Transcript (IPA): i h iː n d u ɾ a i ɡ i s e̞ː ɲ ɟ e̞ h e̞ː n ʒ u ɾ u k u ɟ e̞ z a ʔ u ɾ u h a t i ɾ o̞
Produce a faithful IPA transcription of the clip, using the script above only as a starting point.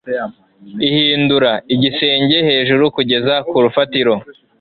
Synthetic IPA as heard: i h iː n d u ɾ a i ɟ i s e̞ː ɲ ɟ e̞ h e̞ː ʒ u ɾ u k u ɟ e̞ z a k u ɾ u f a t i ɾ o̞